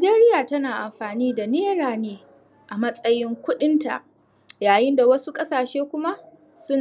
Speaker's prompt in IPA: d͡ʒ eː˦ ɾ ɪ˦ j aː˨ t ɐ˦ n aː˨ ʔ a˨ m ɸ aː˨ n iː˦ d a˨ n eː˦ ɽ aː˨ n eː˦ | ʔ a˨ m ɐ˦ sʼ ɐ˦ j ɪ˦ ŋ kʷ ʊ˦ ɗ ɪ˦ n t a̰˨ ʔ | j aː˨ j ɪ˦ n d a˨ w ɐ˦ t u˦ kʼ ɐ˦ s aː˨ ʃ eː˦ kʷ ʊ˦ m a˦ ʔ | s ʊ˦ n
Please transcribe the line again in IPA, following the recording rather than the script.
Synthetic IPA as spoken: d͡ʒ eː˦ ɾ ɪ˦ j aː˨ t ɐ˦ n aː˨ ʔ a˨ m ɸ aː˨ n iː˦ d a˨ n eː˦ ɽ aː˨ n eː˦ | ʔ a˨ m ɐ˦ sʼ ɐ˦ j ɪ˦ ŋ kʷ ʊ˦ ɗ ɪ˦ n t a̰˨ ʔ | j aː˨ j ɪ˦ n d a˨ w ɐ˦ s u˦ kʼ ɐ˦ s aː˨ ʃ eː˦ kʷ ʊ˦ m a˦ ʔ | s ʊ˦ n